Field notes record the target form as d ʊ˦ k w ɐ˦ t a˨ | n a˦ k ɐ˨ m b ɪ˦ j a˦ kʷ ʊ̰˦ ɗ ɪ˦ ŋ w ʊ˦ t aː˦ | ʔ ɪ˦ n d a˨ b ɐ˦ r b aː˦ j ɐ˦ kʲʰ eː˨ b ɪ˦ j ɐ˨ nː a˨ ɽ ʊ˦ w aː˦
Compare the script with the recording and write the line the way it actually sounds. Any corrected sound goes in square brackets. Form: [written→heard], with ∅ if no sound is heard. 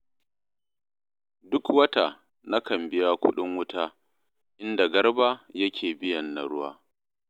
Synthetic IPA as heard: d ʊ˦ k w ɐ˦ t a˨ | n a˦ k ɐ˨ m b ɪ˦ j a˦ kʷ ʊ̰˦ ɗ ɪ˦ ŋ w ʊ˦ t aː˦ | ʔ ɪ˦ n d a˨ [b→ɡ] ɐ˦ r b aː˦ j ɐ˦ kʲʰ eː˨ b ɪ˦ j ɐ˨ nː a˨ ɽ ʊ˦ w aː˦